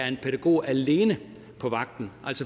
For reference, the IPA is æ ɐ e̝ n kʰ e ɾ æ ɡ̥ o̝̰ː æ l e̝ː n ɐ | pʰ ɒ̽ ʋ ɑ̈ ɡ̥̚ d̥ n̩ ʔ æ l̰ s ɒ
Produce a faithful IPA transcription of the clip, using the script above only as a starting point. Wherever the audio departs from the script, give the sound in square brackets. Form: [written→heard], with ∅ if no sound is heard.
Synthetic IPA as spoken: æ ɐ e̝ n [kʰ→pʰ] e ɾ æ ɡ̥ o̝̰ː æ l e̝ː n [ɐ→ə] | pʰ ɒ̽ ʋ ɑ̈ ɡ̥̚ d̥ n̩ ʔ æ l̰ s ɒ